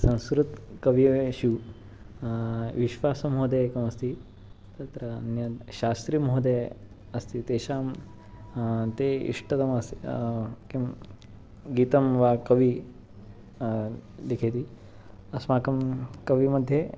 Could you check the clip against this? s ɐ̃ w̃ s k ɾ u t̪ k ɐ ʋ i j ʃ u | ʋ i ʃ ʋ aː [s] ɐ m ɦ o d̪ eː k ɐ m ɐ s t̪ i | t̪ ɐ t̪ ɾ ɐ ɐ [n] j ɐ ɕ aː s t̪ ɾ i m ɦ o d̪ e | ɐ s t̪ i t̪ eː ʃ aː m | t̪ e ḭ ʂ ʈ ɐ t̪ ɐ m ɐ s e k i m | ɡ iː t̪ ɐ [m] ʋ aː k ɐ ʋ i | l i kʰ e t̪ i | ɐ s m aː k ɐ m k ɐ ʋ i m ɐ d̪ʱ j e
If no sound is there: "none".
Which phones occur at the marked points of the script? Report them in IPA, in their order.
s, n, m

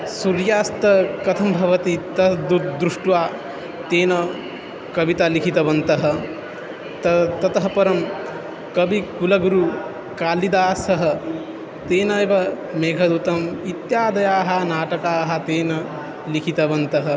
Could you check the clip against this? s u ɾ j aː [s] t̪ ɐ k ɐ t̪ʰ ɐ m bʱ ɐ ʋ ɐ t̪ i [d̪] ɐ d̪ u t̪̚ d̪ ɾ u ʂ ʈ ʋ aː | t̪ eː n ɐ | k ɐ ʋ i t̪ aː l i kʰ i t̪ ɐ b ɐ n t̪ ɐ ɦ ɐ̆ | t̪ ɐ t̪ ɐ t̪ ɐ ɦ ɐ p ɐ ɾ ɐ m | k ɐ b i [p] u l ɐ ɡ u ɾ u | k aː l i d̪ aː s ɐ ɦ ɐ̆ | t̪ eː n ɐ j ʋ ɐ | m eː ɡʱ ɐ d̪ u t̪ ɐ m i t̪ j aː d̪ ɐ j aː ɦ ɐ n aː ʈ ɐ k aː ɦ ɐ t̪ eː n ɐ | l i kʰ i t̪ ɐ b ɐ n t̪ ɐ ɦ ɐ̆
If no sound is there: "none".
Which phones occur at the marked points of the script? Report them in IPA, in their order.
s, t̪, k

